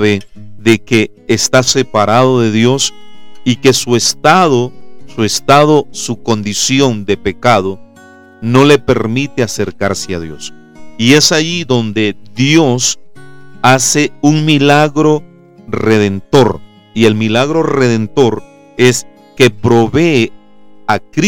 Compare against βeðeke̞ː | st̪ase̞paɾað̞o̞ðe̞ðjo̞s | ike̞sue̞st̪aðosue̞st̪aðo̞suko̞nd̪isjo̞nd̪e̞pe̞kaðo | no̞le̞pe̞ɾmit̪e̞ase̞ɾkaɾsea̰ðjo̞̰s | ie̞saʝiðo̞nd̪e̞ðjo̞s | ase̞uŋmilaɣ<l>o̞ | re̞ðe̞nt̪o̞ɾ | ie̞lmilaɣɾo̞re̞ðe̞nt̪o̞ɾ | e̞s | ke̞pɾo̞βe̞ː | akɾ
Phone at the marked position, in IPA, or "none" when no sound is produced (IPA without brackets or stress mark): ɾ